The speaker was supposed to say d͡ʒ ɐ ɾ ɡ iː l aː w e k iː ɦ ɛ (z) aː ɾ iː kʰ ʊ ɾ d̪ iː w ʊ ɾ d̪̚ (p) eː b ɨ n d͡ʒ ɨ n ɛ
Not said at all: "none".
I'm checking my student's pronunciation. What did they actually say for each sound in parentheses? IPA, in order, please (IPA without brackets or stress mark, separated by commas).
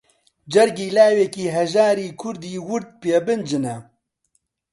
ʒ, p